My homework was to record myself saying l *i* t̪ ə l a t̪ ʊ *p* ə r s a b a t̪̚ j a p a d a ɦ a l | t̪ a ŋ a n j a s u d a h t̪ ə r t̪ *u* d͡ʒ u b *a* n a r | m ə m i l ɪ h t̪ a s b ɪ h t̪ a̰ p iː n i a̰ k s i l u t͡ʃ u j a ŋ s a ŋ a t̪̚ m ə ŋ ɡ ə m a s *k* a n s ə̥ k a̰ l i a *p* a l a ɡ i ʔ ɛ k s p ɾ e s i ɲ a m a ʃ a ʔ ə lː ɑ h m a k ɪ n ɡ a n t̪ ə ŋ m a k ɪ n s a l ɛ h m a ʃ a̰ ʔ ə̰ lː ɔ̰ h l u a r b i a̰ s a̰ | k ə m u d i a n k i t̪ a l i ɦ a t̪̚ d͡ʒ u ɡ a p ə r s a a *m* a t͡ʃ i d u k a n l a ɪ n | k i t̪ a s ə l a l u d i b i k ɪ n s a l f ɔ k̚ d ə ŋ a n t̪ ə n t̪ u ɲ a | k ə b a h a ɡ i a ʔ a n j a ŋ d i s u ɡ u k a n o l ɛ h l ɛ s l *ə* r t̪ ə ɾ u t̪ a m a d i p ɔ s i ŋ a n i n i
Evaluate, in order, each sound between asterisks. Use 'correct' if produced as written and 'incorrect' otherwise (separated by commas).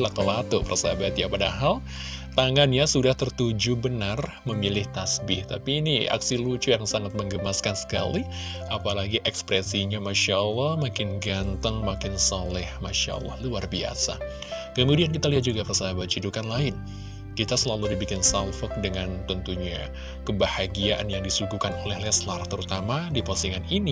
incorrect, correct, correct, incorrect, correct, correct, incorrect, incorrect